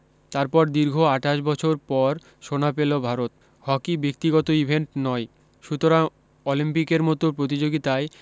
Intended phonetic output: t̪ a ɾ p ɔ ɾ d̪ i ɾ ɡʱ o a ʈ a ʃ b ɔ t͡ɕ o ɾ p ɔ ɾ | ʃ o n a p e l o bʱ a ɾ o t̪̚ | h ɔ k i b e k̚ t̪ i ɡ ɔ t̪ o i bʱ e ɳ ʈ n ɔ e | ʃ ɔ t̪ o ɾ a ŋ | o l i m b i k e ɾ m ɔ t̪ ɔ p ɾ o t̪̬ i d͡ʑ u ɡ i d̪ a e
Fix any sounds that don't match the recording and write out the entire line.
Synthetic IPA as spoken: t̪ a ɾ p ɔ ɾ d̪ i ɾ ɡʱ o a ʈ a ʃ b ɔ t͡ɕʰ o ɾ p ɔ ɾ | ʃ o n a p e l o bʱ a ɾ o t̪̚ | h ɔ k i b e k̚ t̪ i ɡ ɔ t̪ o i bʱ e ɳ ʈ n ɔ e | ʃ u t̪ o ɾ a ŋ | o l i m p i k e ɾ m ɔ t̪ o p ɾ o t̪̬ i d͡ʑ o ɡ i t̪ a e